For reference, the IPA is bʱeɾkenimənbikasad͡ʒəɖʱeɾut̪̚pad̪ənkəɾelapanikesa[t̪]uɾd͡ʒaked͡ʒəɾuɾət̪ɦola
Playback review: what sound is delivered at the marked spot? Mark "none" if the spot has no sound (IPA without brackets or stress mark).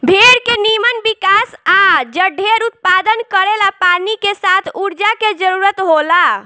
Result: t̪ʰ